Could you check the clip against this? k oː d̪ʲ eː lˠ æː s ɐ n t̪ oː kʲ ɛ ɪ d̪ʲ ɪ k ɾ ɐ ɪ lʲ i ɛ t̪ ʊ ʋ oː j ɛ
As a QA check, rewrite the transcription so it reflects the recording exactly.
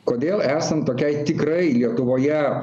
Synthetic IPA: k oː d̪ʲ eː lˠ æː s ɐ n t̪ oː kʲ ɛ ɪ t̪ʲ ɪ k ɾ ɐ ɪ lʲ i ɛ t̪ ʊ ʋ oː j ɛ